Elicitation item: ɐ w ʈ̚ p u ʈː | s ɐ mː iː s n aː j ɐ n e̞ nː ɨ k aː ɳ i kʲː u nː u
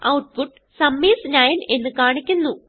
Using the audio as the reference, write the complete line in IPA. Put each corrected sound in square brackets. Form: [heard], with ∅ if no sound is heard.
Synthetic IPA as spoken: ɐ w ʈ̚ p u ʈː | s ɐ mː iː s n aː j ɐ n e̞ nː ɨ k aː ɳ i kʲː u nː u